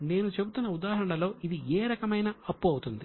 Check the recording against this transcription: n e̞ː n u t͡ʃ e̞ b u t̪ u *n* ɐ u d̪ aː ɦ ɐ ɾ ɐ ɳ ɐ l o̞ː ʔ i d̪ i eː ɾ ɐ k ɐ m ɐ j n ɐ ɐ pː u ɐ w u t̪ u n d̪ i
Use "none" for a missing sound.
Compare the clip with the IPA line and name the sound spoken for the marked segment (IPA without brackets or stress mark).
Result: nː